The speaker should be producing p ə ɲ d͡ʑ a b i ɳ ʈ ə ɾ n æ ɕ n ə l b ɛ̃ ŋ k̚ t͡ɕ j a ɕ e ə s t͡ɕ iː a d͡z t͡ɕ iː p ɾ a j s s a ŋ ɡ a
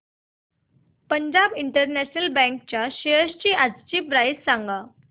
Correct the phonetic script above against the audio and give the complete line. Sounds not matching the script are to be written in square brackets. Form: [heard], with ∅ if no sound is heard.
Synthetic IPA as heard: p ə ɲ d͡ʑ a b i ɳ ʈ ə ɾ n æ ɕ n ə l b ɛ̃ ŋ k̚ t͡ɕ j a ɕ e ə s t͡ɕ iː a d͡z t͡ɕ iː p ɾ a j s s a ŋ ɡ a